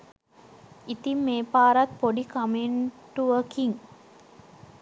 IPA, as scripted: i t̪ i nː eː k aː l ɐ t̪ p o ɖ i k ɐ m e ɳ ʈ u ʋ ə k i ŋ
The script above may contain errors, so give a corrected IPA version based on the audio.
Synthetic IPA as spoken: i t̪ i mː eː p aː ɾ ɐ t̪ p o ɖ i k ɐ m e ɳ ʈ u ʋ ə k i ŋ